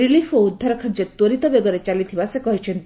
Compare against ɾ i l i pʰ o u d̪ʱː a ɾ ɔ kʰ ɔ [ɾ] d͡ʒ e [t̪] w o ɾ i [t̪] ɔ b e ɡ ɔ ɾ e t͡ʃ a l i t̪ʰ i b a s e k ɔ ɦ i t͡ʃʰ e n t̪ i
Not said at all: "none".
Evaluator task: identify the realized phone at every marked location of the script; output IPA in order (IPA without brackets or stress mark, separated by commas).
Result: ɾ, t̪, t̪